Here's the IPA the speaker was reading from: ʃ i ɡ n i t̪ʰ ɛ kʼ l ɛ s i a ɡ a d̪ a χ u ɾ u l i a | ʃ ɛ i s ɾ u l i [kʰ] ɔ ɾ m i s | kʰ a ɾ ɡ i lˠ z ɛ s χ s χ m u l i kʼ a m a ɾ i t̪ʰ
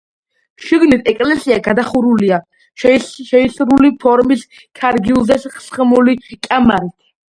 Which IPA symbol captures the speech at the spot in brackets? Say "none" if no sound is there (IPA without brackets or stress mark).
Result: pʰ